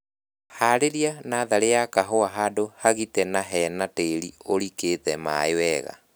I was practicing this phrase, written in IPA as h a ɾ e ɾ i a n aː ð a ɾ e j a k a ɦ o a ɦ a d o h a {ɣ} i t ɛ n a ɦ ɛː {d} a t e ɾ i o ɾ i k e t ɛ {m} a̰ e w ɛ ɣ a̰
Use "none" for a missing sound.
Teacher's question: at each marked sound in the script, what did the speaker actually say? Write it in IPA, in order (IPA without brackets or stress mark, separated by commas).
ɣ, n, m